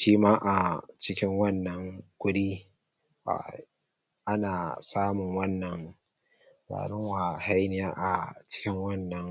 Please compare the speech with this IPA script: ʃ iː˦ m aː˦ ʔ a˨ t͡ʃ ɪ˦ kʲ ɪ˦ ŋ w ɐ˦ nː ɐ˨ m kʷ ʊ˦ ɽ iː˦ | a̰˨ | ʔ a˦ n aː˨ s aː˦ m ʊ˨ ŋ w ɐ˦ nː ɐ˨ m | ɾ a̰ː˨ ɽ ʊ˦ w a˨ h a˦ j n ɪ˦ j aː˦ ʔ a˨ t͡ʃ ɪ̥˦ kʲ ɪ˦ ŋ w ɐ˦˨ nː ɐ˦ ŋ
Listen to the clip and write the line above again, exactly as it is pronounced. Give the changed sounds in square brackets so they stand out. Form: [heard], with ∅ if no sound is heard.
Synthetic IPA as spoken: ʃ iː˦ m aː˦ ʔ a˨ t͡ʃ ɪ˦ kʲ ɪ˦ ŋ w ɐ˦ nː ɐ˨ [ŋ] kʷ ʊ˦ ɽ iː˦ | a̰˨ | ʔ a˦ n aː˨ s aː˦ m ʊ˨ ŋ w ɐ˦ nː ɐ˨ [ŋ] | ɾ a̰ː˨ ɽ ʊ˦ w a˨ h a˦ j n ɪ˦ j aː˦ ʔ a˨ t͡ʃ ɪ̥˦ kʲ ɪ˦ ŋ w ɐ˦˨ nː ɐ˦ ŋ